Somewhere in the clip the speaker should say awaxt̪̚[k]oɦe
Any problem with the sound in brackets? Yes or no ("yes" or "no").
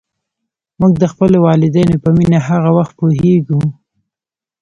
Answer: yes